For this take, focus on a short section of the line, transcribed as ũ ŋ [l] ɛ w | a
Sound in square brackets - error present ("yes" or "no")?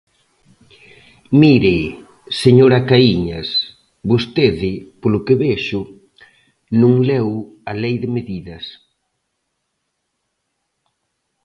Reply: no